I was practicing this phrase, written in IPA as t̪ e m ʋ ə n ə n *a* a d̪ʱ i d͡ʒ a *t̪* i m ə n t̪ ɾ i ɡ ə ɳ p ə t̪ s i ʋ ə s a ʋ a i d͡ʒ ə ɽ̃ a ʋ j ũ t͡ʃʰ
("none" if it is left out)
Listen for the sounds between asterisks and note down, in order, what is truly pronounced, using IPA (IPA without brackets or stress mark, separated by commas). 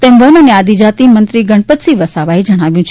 e, t̪